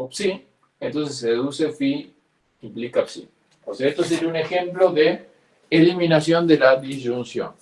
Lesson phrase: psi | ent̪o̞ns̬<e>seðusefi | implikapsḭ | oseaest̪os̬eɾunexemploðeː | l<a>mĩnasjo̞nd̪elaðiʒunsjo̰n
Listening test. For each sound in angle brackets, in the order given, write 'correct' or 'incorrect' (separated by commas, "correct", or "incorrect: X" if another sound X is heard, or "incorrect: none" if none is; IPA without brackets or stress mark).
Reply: correct, incorrect: i